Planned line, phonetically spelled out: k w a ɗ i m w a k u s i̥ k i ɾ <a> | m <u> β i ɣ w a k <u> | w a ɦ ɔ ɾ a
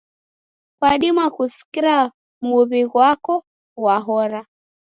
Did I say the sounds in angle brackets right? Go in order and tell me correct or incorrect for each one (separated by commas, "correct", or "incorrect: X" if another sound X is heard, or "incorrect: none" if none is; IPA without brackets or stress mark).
correct, correct, incorrect: ɔ